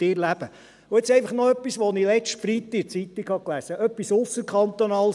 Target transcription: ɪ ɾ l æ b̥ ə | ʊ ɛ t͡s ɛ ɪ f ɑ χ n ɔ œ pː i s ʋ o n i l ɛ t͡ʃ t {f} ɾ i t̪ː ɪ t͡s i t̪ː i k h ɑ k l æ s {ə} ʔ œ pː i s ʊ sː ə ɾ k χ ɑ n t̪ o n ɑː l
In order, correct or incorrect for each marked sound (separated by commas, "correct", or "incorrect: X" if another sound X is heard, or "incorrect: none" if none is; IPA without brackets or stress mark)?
correct, correct